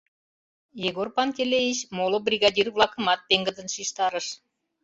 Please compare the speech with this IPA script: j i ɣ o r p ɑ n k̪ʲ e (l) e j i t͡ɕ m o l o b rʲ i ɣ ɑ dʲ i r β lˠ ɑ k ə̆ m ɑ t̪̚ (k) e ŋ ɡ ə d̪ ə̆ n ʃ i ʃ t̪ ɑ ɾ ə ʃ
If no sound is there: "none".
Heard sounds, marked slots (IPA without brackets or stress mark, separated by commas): l, p